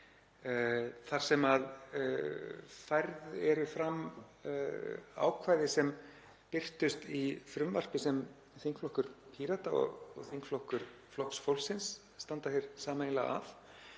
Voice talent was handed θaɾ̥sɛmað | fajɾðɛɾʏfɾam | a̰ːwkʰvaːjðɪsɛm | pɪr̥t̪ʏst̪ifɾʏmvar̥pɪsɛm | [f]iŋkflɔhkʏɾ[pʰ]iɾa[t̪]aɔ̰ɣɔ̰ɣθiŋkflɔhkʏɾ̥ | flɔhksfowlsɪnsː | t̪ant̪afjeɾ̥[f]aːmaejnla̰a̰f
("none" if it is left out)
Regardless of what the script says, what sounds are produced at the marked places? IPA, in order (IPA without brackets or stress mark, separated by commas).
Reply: θ, pʰ, t̪, s